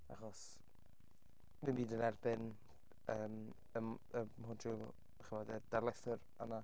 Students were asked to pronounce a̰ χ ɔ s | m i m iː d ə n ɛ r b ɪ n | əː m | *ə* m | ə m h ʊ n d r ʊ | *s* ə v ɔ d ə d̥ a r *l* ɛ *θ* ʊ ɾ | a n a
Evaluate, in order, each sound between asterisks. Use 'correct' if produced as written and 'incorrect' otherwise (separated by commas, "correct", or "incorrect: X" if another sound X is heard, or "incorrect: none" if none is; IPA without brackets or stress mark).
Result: correct, incorrect: χ, correct, correct